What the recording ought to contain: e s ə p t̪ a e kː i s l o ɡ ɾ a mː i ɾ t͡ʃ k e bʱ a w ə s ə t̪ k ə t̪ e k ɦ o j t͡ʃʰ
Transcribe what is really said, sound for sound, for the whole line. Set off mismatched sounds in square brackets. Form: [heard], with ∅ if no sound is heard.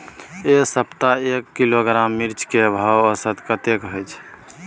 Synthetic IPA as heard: e s ə p t̪ a e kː i [∅] l o ɡ ɾ a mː i ɾ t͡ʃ k e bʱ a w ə s ə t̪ k ə t̪ e k ɦ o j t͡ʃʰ